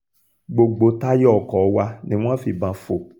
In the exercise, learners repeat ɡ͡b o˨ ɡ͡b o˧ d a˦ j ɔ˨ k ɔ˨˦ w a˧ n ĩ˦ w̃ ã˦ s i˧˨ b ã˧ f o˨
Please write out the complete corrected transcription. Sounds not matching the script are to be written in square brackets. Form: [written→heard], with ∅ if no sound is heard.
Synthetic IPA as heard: ɡ͡b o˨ ɡ͡b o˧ [d→t] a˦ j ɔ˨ k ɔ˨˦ w a˧ n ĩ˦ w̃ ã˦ [s→f] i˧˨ b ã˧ f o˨